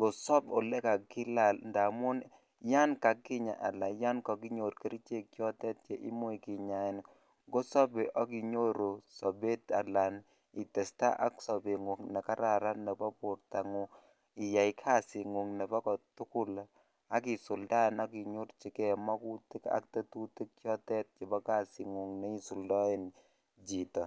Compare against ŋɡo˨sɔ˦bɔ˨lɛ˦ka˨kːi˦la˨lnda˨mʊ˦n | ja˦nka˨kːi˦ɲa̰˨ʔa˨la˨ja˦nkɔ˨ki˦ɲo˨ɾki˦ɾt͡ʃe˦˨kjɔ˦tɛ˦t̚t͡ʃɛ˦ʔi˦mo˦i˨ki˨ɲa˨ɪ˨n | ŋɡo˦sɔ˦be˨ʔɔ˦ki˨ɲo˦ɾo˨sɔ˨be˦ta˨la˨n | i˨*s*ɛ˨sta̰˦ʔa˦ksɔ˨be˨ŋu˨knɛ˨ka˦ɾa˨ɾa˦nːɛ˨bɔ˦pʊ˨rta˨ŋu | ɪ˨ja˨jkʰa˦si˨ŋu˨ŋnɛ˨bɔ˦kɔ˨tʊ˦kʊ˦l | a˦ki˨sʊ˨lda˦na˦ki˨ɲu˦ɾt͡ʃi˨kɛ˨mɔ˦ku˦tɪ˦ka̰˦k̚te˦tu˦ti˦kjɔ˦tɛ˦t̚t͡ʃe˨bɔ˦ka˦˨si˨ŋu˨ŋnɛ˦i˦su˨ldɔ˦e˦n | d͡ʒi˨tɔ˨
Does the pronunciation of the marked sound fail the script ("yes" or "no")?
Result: yes